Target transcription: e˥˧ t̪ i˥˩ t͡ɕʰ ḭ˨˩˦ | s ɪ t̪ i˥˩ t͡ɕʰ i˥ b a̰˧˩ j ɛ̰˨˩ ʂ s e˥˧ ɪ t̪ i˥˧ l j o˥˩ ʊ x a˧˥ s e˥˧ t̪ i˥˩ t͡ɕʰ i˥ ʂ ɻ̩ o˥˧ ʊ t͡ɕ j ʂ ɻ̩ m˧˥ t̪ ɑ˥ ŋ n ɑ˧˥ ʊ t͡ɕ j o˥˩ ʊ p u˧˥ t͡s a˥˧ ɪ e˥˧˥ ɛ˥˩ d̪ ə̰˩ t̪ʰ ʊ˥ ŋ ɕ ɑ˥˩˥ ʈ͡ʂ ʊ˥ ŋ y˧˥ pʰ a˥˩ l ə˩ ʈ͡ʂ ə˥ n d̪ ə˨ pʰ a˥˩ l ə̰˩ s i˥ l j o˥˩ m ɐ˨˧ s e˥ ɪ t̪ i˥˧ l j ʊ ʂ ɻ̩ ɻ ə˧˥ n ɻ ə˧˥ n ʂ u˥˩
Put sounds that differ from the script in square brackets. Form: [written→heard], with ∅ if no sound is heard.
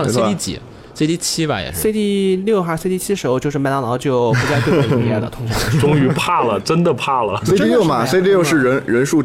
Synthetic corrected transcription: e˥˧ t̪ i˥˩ [t͡ɕʰ→t͡ɕ] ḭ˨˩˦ | s ɪ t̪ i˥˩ t͡ɕʰ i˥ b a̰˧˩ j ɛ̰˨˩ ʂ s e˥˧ ɪ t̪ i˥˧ l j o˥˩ ʊ x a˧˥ s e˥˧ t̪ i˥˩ t͡ɕʰ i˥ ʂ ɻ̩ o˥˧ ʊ t͡ɕ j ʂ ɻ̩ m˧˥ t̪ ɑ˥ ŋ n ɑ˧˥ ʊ t͡ɕ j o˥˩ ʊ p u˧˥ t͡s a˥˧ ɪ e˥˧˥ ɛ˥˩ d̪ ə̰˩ t̪ʰ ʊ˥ ŋ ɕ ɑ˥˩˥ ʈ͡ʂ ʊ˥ ŋ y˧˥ pʰ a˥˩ l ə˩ ʈ͡ʂ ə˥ n d̪ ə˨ pʰ a˥˩ l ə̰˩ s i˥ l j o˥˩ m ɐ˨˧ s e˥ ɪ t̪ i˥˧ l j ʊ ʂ ɻ̩ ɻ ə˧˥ n ɻ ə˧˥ n ʂ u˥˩